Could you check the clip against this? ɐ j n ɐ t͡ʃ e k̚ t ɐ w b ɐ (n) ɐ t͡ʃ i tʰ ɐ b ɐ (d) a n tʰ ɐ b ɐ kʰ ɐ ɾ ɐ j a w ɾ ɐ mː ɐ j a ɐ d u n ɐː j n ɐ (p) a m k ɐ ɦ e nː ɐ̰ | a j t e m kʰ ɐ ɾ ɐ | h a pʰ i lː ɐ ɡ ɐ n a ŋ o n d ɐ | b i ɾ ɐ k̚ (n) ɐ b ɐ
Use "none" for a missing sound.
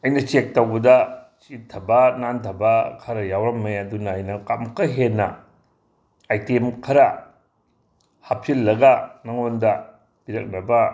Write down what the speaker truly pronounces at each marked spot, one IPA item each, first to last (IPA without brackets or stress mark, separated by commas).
d, n, k, n